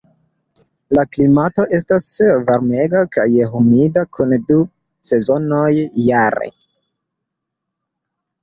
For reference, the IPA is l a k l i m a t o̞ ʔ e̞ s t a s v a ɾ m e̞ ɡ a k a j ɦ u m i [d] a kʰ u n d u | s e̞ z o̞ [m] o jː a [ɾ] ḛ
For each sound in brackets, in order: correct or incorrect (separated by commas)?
correct, incorrect, correct